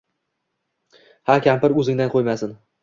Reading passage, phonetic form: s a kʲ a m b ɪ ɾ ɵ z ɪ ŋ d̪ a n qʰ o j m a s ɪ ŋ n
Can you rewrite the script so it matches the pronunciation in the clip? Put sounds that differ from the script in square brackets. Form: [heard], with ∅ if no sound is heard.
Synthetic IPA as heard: [h] a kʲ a m [p] ɪ ɾ ɵ z ɪ ŋ d̪ a n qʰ o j m a s ɪ [∅] n